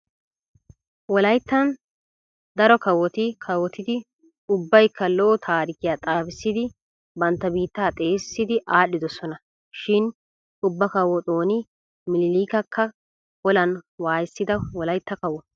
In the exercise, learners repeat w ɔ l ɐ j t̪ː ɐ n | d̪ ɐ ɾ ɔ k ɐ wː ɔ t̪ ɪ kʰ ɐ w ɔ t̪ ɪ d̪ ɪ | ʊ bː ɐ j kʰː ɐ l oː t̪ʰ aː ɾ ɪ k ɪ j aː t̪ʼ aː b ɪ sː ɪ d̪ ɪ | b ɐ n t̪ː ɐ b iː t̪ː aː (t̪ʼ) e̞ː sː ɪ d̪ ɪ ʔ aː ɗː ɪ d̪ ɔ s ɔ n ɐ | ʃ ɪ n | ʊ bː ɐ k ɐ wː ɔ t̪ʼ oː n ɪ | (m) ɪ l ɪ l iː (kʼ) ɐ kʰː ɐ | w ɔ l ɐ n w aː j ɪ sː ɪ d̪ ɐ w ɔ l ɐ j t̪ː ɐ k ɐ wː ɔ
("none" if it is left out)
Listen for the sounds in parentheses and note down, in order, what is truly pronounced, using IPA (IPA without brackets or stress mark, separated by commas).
t̪ʼ, m, k